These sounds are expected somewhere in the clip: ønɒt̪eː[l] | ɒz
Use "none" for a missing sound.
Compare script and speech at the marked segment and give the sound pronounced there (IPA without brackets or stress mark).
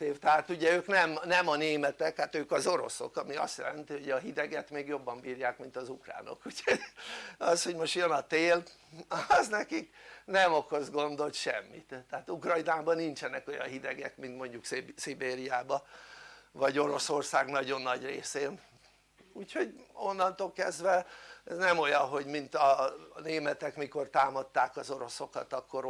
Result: l